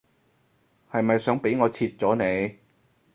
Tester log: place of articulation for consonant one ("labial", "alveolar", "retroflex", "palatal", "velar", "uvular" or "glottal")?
glottal